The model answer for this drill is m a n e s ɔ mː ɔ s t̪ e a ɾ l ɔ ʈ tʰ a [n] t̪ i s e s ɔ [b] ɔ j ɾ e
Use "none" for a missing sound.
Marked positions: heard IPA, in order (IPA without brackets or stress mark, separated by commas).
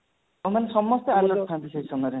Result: n, m